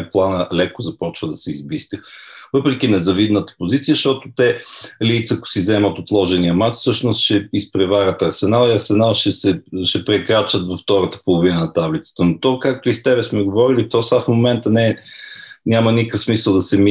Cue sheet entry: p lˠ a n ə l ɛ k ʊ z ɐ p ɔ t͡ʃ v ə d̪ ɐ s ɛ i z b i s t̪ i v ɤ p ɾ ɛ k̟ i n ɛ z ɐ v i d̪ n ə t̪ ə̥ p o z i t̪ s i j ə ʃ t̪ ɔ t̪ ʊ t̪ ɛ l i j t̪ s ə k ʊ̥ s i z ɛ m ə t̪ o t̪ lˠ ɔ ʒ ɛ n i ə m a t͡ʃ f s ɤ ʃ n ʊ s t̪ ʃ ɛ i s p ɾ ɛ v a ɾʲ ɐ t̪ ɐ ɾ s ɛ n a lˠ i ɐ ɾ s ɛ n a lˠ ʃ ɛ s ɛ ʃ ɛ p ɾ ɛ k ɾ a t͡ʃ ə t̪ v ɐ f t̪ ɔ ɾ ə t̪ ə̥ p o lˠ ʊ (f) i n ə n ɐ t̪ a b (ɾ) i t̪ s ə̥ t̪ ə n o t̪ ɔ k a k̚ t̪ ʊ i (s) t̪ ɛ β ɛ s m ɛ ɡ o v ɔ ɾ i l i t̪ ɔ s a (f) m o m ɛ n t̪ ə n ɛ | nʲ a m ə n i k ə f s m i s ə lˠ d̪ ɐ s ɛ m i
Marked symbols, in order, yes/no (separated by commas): no, no, yes, yes